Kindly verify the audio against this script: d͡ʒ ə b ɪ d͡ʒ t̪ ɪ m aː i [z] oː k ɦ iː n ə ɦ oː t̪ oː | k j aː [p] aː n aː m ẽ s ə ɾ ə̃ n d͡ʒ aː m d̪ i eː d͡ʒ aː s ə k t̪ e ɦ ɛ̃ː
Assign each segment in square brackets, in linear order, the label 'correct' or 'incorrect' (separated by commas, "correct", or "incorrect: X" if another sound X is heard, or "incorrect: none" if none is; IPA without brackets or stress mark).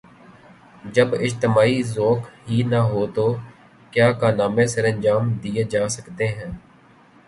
correct, incorrect: k